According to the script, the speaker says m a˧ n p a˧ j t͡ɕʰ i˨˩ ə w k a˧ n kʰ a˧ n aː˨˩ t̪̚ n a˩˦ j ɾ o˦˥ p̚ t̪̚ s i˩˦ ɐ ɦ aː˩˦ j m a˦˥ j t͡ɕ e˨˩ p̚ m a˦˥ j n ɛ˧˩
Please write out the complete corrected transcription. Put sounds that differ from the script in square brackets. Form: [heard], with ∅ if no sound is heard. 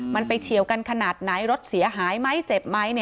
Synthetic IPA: m a˧ n p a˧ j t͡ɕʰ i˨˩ ə w k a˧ n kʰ a˧ n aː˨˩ t̪̚ n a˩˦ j ɾ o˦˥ [∅] t̪̚ s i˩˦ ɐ ɦ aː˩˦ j m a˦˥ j t͡ɕ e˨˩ p̚ m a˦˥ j n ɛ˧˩